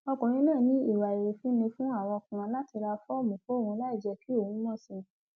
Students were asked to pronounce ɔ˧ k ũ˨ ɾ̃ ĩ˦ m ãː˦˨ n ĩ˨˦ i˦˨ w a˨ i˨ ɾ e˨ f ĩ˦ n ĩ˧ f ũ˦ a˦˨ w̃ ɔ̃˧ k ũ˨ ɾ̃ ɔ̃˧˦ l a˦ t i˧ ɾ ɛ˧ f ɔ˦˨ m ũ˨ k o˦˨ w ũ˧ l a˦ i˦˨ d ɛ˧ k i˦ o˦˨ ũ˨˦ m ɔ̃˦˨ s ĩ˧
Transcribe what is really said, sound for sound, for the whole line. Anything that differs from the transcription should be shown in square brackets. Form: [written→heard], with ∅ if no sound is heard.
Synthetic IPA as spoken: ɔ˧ k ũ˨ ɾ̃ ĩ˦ [m→n] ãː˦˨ n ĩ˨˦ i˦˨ w a˨ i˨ ɾ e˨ f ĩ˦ n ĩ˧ f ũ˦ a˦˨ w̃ ɔ̃˧ k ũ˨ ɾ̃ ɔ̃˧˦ l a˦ t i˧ ɾ [ɛ˧→a˧] f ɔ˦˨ m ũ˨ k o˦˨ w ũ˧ l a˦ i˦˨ [d→d͡ʒ] ɛ˧ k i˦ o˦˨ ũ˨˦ m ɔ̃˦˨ s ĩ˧